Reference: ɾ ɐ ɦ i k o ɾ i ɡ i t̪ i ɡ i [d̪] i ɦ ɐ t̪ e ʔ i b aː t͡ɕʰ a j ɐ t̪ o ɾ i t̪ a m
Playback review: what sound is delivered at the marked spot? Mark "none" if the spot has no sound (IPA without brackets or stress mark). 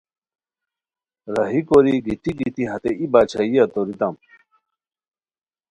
t̪